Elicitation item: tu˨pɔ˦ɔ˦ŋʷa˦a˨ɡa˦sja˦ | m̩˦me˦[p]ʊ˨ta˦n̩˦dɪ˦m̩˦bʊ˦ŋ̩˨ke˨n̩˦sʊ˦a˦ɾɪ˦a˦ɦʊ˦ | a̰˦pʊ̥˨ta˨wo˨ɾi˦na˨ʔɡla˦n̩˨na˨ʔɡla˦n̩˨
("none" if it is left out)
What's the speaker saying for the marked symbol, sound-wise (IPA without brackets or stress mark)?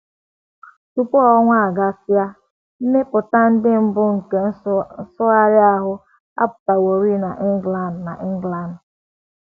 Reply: p